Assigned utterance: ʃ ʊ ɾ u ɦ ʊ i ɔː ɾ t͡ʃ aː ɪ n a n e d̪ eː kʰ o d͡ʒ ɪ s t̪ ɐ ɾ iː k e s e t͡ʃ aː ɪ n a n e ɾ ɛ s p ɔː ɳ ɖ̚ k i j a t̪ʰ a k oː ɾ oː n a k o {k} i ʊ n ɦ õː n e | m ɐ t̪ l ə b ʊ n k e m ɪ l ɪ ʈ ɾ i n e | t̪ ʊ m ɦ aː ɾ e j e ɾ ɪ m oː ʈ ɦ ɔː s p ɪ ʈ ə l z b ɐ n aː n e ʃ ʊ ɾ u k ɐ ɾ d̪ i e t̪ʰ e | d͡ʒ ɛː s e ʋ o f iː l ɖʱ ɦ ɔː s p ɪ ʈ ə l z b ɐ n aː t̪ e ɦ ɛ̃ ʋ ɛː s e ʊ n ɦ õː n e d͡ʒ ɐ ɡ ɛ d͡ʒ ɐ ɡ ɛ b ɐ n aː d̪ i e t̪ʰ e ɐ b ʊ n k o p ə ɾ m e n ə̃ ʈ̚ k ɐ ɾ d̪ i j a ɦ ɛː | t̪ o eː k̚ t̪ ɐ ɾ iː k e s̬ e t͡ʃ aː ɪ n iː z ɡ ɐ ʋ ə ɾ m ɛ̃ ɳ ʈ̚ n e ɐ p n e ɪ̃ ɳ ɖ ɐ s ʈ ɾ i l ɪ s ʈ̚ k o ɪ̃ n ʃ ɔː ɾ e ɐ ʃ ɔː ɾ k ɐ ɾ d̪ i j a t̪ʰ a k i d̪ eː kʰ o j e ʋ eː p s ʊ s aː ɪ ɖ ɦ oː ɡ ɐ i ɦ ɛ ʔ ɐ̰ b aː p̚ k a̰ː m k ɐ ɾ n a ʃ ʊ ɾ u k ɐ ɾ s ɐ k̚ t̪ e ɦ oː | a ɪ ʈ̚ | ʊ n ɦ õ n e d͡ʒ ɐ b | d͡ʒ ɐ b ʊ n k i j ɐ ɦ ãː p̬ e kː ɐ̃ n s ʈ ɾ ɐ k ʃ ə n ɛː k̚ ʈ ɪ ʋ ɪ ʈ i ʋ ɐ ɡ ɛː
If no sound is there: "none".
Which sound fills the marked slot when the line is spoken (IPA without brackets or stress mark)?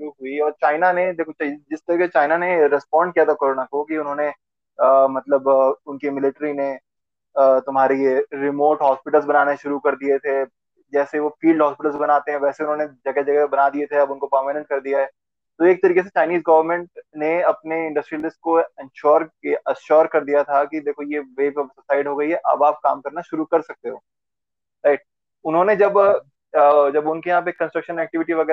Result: k